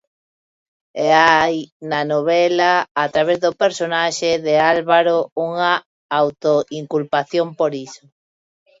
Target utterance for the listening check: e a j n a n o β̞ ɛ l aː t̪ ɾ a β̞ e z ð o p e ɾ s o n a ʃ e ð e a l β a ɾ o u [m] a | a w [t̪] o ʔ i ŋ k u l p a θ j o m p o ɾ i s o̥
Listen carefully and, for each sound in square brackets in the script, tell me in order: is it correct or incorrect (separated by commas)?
incorrect, correct